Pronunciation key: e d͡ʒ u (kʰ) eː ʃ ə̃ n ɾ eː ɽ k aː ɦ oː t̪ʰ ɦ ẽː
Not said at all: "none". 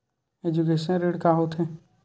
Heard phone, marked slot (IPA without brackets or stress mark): k